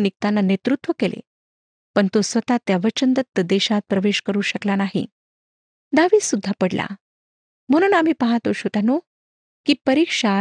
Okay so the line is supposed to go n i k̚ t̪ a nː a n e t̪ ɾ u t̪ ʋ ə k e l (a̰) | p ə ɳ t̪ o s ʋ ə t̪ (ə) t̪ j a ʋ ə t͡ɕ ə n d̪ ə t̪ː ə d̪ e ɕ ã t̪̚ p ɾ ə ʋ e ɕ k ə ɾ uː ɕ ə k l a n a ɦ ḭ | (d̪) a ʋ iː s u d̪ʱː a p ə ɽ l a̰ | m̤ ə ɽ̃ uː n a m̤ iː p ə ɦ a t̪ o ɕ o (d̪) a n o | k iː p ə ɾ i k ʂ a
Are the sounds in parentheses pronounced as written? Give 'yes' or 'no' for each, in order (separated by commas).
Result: no, no, yes, no